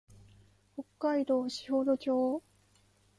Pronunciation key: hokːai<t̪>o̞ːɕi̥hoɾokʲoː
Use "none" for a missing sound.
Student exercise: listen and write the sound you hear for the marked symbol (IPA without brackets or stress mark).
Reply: d̪